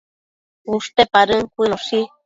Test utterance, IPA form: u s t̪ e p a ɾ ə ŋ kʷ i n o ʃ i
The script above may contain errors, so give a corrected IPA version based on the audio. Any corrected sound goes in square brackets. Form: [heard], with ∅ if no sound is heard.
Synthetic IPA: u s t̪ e p a ɾ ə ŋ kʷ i n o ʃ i